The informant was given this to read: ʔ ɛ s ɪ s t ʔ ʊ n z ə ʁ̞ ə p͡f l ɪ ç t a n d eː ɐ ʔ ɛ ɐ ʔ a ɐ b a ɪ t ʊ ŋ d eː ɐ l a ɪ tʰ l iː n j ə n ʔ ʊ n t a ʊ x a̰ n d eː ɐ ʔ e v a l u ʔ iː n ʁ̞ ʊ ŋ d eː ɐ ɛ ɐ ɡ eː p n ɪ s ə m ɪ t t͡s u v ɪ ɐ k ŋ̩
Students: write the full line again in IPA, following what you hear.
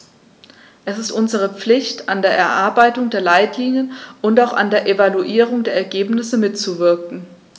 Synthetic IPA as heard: ʔ ɛ s ɪ s t ʔ ʊ n z ə ʁ̞ ə p͡f l ɪ ç t a n d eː ɐ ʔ ɛ ɐ ʔ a ɐ b a ɪ t ʊ ŋ d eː ɐ l a ɪ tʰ l iː n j ə n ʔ ʊ n t a ʊ x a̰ n d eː ɐ ʔ e v a l u ʔ iː ʁ̞ ʊ ŋ d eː ɐ ɛ ɐ ɡ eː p n ɪ s ə m ɪ t t͡s u v ɪ ɐ k ŋ̩